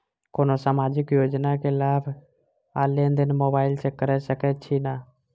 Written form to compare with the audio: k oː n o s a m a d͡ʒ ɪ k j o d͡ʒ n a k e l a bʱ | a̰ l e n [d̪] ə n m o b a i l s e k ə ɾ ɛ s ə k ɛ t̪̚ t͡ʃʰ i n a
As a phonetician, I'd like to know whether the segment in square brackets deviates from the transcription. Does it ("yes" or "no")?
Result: no